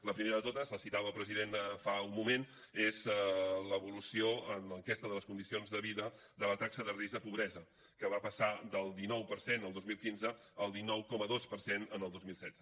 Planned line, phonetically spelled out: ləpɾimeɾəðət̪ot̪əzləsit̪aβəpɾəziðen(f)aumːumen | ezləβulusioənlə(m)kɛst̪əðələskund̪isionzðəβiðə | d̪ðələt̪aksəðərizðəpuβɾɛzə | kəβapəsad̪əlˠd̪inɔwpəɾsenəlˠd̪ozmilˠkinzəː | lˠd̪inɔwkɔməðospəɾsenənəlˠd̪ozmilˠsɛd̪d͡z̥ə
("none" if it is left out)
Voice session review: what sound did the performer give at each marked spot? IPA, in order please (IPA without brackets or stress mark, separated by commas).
f, ŋ